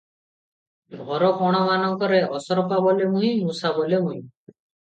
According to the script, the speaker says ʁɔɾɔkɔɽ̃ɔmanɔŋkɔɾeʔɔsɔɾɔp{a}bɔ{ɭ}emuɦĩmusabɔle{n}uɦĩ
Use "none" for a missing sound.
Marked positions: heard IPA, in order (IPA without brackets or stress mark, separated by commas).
a, l, m